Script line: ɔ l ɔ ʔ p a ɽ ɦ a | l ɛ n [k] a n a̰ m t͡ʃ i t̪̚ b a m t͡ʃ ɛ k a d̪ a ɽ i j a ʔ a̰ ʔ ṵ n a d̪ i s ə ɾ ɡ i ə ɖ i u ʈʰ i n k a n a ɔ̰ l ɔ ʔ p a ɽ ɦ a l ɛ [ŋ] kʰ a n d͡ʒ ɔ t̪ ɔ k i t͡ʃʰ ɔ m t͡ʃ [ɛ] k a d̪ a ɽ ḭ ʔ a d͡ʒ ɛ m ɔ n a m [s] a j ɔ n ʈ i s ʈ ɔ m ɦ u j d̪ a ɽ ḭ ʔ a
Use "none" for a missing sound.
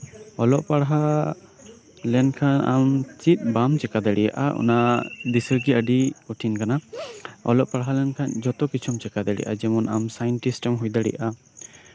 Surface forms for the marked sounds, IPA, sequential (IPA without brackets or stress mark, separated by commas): kʰ, n, ɛ, s